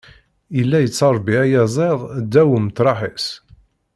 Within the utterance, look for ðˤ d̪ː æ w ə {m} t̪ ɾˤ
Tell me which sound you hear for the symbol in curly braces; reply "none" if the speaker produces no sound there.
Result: m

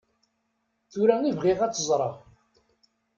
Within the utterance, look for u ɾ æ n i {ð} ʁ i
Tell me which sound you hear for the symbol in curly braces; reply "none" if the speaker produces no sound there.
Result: v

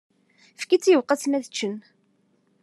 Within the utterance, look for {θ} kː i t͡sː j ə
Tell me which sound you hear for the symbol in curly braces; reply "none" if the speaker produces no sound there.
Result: f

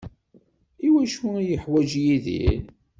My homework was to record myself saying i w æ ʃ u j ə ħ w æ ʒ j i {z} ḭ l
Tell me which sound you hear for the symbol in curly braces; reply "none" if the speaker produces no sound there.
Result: ð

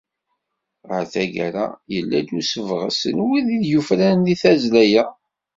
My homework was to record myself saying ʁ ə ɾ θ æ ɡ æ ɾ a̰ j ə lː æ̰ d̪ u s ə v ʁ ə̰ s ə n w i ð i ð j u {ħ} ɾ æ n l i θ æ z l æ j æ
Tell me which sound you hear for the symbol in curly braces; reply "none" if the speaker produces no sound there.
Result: f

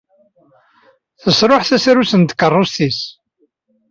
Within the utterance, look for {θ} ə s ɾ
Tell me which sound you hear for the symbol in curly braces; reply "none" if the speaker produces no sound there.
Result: θ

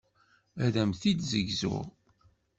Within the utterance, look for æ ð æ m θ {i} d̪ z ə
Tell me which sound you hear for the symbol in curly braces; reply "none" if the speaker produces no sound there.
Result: i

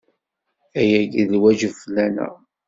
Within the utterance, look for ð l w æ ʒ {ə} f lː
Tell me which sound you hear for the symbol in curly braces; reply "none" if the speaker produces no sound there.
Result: ə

